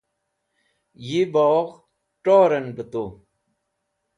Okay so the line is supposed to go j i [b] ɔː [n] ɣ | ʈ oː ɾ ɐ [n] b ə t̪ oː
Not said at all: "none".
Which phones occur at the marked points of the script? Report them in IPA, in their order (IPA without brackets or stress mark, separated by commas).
b, none, n